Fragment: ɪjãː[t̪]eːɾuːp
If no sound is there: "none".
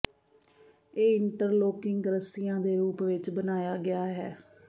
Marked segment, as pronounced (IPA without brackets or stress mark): d̪